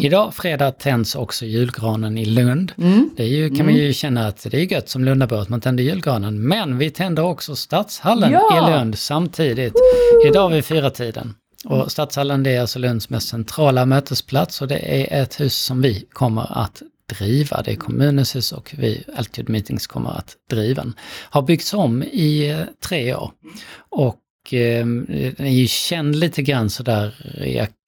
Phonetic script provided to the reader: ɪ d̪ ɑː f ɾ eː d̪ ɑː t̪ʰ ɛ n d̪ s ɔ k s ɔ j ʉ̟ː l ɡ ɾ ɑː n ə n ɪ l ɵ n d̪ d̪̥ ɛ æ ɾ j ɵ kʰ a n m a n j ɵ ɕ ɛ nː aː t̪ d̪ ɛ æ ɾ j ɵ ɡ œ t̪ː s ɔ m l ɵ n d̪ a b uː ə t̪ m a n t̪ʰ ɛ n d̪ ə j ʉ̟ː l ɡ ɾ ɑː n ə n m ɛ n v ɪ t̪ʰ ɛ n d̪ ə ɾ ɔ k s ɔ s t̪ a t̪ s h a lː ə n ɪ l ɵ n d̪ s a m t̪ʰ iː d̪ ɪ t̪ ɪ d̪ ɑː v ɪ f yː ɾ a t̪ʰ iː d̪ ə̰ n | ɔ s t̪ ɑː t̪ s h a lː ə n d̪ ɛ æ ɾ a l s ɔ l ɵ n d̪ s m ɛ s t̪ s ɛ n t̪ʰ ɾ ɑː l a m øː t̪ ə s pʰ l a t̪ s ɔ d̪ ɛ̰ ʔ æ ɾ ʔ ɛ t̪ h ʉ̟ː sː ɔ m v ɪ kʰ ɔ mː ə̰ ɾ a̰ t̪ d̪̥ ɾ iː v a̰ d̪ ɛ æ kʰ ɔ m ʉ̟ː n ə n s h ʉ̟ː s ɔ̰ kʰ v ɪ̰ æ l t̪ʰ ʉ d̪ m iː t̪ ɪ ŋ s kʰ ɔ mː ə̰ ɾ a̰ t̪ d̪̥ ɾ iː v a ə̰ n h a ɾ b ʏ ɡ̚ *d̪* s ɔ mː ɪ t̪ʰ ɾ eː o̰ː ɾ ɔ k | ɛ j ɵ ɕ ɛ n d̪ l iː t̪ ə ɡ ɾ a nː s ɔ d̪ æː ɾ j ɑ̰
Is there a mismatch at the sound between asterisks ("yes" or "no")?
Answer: yes